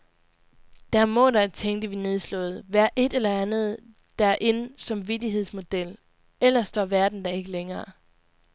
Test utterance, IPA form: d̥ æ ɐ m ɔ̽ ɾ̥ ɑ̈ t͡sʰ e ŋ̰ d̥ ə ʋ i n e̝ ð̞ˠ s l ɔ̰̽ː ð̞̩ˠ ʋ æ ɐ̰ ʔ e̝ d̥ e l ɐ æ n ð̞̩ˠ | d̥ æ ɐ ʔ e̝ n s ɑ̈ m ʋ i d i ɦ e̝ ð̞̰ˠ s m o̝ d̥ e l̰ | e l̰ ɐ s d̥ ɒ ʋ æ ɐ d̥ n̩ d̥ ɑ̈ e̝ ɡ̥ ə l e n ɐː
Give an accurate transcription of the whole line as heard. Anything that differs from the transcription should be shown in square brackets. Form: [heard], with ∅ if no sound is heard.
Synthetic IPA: d̥ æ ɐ m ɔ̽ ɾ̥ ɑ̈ t͡sʰ e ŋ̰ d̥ ə ʋ i n e̝ ð̞ˠ s l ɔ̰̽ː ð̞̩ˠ ʋ æ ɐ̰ ʔ e̝ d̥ e l ɐ æ n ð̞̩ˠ | d̥ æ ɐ ʔ e̝ n s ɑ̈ m ʋ i d i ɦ e̝ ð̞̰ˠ s m o̝ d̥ e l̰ | e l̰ ɐ s d̥ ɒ ʋ æ ɐ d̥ n̩ d̥ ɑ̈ e̝ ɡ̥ ə l e [ŋ] ɐː